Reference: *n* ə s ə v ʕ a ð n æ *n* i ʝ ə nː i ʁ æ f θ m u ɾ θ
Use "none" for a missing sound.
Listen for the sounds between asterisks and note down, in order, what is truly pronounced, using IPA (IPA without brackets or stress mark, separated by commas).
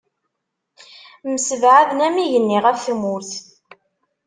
m, m